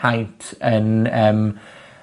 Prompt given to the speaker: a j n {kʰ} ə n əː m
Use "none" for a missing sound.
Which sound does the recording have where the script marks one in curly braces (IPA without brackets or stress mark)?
tʰ